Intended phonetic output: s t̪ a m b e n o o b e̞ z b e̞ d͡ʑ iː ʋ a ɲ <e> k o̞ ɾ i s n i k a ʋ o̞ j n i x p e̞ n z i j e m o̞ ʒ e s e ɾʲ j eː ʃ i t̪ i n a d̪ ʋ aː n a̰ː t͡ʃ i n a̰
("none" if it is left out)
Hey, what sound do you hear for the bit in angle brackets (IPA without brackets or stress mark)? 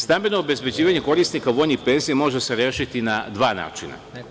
e